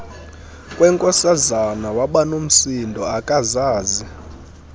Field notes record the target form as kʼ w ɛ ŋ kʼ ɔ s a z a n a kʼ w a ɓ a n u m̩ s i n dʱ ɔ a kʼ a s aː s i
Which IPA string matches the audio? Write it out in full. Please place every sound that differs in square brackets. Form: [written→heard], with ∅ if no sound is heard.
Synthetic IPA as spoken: kʼ w ɛ ŋ kʼ ɔ s a z a n a [kʼ→∅] w a ɓ a n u m̩ s i n dʱ ɔ a kʼ a [s→z] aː [s→z] i